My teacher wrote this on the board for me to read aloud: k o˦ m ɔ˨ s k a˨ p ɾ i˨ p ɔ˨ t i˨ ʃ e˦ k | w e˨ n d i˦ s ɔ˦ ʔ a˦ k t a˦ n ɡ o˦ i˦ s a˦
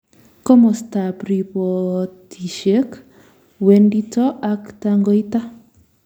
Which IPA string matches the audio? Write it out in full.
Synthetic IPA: k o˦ m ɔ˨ s t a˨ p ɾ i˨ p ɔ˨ t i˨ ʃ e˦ k | w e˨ n d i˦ t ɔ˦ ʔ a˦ k t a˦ ŋ ɡ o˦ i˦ t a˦